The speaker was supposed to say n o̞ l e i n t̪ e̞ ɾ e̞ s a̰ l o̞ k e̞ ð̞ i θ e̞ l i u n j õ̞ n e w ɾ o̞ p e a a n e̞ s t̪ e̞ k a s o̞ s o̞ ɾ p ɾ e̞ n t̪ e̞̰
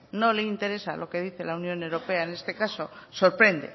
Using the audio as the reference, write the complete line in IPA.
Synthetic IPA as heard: n o̞ l e i n t̪ e̞ ɾ e̞ s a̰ l o̞ k e̞ ð̞ i θ e̞ l a u n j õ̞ n e w ɾ o̞ p e a e n e̞ s t̪ e̞ k a s o̞ s o̞ ɾ p ɾ e̞ n d̪ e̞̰